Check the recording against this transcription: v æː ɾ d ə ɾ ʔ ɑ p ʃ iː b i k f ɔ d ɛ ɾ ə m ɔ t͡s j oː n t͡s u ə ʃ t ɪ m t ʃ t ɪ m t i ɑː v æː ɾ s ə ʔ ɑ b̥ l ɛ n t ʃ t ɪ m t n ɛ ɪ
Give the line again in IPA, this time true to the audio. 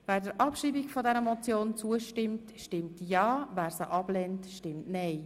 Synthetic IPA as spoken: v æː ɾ d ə ɾ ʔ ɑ p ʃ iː b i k f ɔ d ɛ ɾ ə m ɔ t͡s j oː n t͡s u ə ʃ t ɪ m t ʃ t ɪ m t j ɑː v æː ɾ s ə ʔ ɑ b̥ l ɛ n t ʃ t ɪ m t n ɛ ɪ